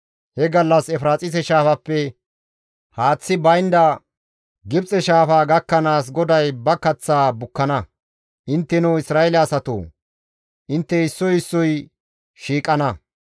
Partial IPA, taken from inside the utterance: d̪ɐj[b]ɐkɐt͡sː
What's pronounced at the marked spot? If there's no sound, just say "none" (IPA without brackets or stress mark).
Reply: b